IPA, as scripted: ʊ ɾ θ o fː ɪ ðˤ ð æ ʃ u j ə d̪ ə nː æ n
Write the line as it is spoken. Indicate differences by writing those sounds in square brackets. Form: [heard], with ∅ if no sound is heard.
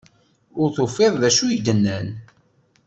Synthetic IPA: ʊ ɾ θ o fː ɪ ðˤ ð æ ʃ u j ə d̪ ə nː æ n